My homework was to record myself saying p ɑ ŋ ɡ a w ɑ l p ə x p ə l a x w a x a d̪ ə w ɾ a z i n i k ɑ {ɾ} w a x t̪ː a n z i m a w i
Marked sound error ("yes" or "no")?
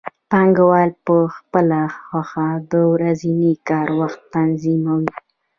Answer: no